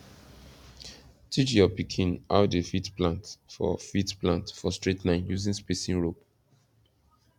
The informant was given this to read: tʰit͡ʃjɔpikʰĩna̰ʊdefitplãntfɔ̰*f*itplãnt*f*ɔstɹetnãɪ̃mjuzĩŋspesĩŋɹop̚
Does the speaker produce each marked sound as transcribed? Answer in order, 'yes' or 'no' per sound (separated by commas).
yes, yes